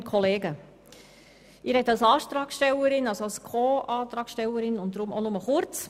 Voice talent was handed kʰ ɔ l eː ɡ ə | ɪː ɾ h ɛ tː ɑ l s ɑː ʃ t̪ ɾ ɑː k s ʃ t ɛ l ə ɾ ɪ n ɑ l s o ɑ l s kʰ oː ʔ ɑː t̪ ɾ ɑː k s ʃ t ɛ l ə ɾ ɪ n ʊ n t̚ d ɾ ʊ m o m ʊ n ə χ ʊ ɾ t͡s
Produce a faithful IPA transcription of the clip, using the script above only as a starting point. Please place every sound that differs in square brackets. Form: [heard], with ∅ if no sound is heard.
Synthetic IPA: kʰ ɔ l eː ɡ ə | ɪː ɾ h ɛ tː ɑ l s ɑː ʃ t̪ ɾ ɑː k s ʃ t ɛ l ə ɾ ɪ n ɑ l s o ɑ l s kʰ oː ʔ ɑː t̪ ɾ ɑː k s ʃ t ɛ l ə ɾ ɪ n ʊ n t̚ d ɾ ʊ m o [n] ʊ [m] ə χ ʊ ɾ t͡s